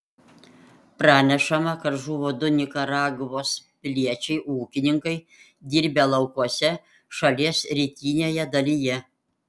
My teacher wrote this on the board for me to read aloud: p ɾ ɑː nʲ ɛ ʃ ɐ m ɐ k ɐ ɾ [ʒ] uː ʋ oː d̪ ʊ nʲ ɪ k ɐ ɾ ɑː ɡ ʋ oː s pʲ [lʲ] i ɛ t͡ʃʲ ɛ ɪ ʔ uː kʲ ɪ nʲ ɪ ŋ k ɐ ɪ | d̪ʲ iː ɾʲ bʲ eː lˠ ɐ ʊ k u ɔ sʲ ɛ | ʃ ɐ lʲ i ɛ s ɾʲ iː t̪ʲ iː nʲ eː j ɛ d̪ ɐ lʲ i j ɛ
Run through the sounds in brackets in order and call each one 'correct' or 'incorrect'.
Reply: correct, correct

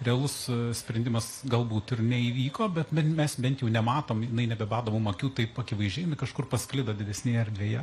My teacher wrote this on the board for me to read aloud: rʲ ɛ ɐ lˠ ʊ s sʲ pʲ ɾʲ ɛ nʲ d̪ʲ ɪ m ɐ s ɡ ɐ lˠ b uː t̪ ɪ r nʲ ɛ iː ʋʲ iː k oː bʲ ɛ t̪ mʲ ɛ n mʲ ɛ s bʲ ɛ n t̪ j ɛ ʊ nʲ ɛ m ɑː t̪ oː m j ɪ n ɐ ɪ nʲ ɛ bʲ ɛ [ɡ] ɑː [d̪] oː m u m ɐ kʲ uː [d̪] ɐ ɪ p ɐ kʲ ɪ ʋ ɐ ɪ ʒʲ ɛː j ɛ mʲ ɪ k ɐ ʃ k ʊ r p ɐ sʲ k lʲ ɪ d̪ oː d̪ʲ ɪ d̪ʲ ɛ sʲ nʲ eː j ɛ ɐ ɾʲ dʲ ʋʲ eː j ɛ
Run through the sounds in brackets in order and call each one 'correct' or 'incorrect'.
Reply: incorrect: b, correct, incorrect: t̪

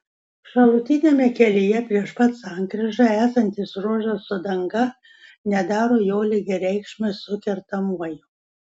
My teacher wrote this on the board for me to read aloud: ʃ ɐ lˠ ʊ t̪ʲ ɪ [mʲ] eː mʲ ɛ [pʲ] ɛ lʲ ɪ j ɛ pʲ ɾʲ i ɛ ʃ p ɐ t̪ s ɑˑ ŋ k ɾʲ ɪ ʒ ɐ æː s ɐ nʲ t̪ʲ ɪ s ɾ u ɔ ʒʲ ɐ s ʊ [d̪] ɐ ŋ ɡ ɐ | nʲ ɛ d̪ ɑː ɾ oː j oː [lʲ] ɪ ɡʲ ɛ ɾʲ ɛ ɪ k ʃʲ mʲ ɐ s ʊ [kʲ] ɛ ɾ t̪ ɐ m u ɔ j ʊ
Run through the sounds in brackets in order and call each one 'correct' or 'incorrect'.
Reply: incorrect: nʲ, incorrect: kʲ, correct, correct, correct

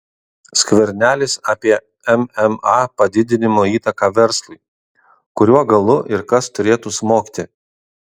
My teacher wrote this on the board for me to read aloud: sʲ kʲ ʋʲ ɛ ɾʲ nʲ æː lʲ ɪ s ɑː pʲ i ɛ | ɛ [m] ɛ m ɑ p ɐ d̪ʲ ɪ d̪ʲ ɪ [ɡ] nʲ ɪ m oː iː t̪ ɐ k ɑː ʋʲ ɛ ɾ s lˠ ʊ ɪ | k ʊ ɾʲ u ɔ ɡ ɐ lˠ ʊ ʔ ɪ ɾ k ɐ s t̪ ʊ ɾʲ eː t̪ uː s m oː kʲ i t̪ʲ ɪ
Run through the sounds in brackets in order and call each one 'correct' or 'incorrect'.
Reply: correct, incorrect: none

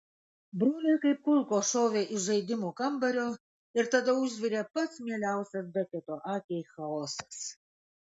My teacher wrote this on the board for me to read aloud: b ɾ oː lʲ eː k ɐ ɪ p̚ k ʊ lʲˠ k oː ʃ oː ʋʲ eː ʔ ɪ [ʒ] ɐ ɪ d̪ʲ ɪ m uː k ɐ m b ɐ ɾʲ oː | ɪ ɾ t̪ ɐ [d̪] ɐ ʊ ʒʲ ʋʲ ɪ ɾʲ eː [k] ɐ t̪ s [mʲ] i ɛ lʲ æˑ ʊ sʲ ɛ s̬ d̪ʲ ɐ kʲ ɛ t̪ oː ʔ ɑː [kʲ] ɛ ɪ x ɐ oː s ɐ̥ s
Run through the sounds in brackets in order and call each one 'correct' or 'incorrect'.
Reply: correct, correct, incorrect: p, correct, correct

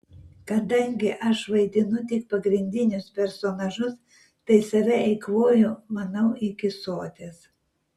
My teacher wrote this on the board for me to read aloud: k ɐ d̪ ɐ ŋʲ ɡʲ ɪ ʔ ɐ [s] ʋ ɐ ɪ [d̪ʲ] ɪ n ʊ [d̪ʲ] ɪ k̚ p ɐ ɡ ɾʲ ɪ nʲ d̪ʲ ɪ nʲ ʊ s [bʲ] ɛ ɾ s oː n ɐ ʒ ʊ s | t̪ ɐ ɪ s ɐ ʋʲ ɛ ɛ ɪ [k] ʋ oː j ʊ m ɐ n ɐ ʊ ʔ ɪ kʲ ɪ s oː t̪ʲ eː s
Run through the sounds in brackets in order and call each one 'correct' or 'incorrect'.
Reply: incorrect: ʃ, correct, incorrect: t̪ʲ, incorrect: pʲ, correct

